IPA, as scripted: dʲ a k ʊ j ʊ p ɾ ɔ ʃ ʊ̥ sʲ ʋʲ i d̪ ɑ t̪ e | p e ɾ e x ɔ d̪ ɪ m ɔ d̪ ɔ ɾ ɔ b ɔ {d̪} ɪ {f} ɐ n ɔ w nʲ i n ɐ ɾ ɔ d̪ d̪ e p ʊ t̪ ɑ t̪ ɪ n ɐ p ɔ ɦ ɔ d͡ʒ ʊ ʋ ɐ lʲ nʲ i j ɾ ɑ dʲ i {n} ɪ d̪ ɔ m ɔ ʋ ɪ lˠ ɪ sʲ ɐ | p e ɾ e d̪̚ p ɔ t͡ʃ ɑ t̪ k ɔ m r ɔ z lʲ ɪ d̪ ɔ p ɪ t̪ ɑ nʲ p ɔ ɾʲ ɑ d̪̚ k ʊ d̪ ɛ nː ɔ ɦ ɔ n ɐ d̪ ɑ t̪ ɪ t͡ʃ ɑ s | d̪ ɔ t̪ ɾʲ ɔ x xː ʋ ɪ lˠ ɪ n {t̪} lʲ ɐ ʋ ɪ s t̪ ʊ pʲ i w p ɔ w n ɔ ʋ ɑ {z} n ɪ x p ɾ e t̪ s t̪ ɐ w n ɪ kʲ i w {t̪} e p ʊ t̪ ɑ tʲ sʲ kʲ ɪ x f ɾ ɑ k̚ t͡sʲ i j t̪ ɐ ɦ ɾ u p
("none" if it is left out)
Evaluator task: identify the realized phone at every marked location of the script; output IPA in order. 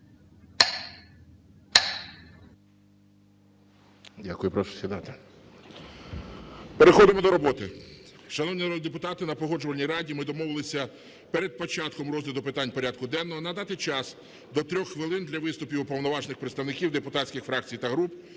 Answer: t̪, ʃ, m, d̪, ʒ, d̪

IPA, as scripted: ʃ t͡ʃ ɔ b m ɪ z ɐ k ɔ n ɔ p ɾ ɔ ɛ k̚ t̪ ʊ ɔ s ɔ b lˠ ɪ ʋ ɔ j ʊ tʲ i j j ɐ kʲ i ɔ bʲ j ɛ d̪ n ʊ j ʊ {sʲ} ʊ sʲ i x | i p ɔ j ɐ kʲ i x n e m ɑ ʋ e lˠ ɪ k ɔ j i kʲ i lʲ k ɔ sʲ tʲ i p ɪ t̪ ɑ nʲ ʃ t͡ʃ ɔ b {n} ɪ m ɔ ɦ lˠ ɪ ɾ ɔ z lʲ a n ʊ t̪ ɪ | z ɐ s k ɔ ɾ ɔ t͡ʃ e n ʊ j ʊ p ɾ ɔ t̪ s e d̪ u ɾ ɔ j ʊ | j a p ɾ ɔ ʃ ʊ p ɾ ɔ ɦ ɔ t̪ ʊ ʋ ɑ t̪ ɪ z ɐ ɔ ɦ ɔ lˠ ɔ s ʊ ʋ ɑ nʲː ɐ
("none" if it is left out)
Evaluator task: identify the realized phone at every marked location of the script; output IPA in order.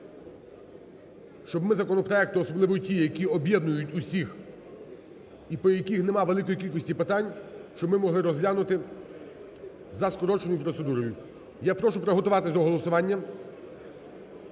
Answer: tʲ, m

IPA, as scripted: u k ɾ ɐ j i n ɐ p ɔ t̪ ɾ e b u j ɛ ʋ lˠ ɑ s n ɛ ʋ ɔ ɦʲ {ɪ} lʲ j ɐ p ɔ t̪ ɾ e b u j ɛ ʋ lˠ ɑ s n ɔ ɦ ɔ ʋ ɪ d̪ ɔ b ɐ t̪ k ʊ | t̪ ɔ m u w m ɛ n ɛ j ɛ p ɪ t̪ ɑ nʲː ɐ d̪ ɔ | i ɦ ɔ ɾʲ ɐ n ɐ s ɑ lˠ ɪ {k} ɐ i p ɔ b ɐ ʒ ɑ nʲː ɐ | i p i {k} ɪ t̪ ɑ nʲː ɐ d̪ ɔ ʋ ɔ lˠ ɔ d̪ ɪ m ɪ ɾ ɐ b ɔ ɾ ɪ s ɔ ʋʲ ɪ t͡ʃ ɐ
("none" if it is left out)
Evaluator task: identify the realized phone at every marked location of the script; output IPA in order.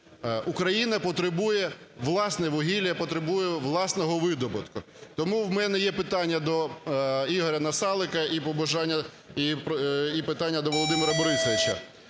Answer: i, k, p

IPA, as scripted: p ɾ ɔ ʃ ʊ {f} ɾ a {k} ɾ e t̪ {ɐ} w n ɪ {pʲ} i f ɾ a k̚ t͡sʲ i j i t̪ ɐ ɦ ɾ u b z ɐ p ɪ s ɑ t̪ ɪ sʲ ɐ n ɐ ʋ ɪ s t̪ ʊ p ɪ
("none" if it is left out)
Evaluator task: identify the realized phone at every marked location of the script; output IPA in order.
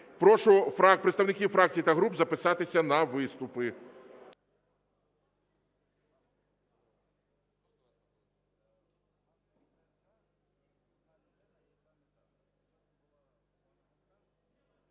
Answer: f, p, ɐ, kʲ

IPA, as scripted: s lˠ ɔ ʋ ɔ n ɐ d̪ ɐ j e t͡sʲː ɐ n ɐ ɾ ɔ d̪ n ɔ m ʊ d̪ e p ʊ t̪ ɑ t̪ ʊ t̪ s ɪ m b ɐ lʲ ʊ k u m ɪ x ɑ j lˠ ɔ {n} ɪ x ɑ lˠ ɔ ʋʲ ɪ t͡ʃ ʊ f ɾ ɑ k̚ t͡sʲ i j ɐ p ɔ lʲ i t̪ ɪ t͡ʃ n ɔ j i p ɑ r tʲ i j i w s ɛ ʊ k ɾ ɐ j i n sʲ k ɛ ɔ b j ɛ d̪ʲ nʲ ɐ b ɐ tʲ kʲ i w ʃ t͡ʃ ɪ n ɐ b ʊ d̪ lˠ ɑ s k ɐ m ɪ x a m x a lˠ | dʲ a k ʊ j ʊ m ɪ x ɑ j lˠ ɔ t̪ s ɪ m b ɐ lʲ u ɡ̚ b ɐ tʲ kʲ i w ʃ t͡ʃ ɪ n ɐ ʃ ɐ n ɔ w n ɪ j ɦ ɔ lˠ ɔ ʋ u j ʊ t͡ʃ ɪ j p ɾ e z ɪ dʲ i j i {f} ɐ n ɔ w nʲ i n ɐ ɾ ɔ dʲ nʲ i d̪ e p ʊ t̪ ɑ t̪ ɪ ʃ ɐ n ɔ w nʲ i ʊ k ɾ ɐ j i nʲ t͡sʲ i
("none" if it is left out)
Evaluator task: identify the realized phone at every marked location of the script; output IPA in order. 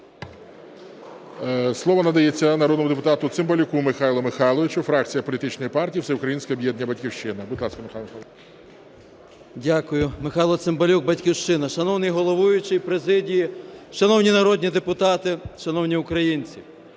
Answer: m, ʃ

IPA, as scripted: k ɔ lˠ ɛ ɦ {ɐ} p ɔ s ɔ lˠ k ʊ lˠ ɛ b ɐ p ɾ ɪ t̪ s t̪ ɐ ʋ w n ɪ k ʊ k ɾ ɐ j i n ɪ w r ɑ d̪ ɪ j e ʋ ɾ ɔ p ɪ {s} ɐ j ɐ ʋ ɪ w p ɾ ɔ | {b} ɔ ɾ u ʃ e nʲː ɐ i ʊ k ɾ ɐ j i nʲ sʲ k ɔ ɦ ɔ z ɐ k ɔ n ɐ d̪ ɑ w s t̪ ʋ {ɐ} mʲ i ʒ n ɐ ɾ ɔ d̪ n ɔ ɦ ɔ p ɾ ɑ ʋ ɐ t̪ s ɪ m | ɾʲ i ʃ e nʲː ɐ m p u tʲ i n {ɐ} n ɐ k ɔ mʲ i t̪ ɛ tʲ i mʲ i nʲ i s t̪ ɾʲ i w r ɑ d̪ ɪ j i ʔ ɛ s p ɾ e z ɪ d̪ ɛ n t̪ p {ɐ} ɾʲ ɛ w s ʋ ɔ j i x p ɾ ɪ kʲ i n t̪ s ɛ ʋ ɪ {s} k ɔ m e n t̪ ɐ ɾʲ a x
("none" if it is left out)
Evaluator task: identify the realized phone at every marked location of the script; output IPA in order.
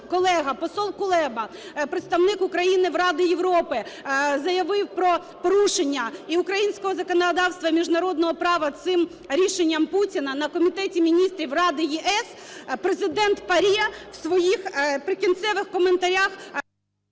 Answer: ɐ, z, p, ɐ, ɐ, ɐ, x

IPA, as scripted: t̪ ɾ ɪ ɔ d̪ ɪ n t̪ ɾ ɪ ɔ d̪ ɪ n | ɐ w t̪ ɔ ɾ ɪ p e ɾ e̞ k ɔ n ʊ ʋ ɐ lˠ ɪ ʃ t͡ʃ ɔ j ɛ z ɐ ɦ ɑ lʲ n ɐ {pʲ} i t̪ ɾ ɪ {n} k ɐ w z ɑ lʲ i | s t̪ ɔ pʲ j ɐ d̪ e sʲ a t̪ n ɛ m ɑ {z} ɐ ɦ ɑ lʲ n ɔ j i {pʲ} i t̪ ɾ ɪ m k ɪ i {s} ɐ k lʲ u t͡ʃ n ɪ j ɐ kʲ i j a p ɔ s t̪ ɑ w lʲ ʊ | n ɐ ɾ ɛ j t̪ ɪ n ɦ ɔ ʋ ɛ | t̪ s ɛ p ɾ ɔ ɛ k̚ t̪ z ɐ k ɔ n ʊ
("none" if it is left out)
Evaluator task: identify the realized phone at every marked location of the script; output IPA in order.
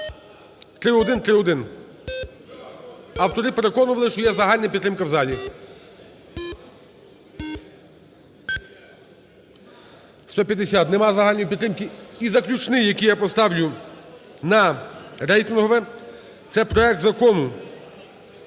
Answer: pʲ, m, z, pʲ, z

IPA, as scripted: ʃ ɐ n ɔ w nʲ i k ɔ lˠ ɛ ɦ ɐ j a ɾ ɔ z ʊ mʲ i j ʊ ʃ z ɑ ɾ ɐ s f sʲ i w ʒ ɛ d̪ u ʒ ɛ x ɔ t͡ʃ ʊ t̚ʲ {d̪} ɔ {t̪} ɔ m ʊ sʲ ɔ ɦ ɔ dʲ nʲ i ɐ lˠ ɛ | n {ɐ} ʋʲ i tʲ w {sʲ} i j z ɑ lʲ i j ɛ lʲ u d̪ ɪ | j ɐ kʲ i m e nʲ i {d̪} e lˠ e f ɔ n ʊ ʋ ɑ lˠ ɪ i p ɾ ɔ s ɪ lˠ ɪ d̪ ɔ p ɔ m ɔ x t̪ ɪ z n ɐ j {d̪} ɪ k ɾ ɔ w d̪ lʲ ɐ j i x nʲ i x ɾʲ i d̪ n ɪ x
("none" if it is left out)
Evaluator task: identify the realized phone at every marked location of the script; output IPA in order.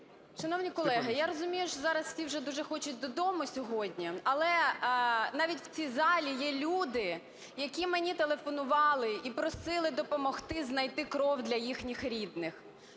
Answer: d̪, d̪, ɑ, t͡sʲ, t̪, t̪

